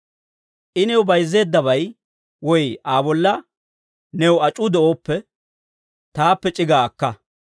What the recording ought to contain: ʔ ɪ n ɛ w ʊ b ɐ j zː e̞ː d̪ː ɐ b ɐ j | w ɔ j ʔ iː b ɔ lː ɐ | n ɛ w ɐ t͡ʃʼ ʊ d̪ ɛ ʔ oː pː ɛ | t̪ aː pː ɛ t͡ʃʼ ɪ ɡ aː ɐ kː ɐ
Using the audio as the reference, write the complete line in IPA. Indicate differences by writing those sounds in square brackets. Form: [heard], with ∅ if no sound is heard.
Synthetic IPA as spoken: ʔ ɪ n ɛ w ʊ b ɐ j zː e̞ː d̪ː ɐ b ɐ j | w ɔ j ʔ [aː] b ɔ lː ɐ | n ɛ w ɐ t͡ʃʼ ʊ d̪ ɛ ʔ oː pː ɛ | t̪ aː pː ɛ t͡ʃʼ ɪ ɡ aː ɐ kː ɐ